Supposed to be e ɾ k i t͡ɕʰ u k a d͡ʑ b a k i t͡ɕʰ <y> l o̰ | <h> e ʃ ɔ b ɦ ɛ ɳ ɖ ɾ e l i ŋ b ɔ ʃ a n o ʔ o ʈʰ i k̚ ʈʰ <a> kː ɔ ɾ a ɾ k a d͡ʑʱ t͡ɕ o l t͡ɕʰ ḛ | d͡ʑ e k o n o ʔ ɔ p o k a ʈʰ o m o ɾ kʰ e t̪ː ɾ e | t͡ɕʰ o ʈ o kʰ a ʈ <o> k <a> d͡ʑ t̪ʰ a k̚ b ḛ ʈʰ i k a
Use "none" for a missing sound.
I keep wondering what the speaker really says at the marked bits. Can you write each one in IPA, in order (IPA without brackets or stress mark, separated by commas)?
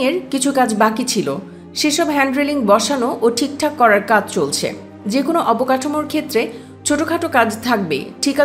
i, ʃ, a, o, a